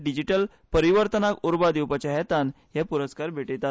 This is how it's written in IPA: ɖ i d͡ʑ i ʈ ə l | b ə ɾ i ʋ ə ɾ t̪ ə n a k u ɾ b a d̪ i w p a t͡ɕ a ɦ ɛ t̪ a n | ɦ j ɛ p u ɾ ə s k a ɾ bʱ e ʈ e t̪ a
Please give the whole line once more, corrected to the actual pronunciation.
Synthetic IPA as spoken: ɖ i d͡ʑ i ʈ ə l | p ə ɾ i ʋ ə ɾ t̪ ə n a k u ɾ b a d̪ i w p a t͡ɕ a ɦ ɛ t̪ a n | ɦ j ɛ p u ɾ ə s k a ɾ bʱ e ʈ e t̪ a